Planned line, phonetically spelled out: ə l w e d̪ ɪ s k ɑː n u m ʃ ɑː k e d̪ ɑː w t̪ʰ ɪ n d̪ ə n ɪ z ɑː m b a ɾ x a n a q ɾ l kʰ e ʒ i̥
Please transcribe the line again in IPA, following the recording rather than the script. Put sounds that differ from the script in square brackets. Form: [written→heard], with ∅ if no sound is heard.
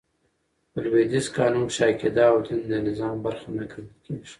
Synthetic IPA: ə l w e d̪ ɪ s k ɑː n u m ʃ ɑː k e d̪ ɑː w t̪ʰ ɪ n d̪ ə n ɪ z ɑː m b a ɾ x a n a [q→k] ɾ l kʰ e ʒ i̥